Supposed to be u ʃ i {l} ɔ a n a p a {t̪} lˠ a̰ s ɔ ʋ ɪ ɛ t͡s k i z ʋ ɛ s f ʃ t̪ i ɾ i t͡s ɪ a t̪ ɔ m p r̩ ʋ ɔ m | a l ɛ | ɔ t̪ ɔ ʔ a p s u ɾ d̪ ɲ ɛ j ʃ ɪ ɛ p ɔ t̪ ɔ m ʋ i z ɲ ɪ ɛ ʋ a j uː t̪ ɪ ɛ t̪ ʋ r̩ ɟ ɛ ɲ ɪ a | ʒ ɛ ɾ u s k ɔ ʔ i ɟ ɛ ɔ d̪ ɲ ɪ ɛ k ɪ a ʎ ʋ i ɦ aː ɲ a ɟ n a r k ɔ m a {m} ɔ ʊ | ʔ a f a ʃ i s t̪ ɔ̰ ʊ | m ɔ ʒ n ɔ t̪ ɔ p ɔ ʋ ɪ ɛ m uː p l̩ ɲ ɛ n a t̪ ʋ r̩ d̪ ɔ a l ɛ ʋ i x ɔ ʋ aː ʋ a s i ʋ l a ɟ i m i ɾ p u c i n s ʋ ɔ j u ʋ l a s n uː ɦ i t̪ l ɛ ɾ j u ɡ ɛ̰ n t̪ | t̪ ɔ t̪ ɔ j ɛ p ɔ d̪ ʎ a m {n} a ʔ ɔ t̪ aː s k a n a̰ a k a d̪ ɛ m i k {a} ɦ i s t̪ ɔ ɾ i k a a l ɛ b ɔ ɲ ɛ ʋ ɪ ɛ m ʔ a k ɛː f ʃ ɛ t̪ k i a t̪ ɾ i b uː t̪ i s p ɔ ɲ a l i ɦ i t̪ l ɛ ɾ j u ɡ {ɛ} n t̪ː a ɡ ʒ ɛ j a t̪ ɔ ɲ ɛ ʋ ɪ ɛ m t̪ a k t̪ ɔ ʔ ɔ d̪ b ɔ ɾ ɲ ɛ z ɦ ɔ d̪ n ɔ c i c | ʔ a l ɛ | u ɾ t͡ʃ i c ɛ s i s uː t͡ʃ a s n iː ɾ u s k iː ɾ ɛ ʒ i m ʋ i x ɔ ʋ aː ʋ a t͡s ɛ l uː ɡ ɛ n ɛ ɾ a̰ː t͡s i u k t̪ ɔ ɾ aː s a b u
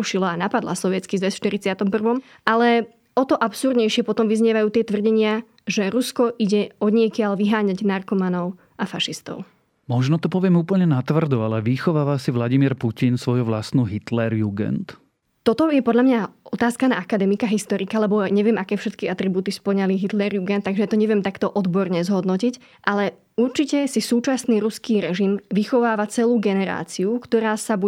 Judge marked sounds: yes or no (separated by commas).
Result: yes, no, no, no, yes, yes